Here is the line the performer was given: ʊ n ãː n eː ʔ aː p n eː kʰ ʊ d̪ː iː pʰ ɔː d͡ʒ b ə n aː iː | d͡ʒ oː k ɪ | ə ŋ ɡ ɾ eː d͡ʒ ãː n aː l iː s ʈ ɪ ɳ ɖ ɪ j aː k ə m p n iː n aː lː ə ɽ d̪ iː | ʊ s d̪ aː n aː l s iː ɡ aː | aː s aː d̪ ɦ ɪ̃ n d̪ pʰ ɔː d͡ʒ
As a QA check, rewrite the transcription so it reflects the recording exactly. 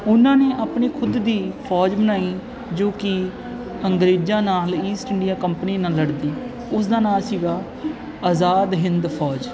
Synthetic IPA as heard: ʊ n ãː n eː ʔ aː p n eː kʰ ʊ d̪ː iː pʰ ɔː d͡ʒ b ə n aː iː | d͡ʒ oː k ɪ | ə ŋ ɡ ɾ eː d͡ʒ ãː n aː l iː s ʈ ɪ ɳ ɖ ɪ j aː k ə m p n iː n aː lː ə ɽ d̪ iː | ʊ s d̪ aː n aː l s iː ɡ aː | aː z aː d̪ ɦ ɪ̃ n d̪ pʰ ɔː d͡ʒ